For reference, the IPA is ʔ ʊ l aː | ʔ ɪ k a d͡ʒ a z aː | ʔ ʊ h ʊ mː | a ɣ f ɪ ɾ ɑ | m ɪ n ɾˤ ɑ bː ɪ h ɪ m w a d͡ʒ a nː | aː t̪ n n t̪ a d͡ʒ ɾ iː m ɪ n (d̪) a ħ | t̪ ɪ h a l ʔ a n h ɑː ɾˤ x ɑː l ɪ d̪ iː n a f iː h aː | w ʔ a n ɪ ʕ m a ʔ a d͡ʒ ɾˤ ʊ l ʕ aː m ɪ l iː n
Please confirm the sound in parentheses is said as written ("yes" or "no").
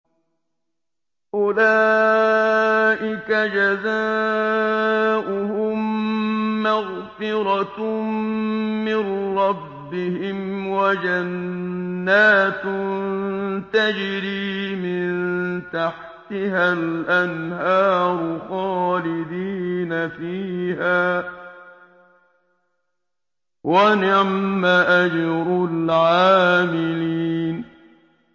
no